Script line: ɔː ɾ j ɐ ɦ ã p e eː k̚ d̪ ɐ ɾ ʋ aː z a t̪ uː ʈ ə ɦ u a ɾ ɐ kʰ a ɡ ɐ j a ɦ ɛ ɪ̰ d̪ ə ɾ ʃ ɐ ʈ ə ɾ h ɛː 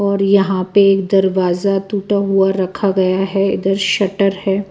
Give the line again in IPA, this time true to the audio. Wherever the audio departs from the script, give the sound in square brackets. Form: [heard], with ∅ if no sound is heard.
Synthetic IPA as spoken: ɔː ɾ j ɐ ɦ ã p e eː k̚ d̪ ɐ ɾ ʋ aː z a t̪ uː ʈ [a] ɦ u a ɾ ɐ kʰ a ɡ ɐ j a ɦ ɛ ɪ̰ d̪ ə ɾ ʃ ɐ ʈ ə ɾ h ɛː